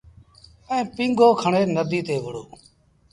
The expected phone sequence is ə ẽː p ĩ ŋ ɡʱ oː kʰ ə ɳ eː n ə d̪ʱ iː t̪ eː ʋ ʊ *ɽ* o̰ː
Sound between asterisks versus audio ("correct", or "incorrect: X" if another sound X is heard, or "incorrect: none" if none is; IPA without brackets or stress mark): correct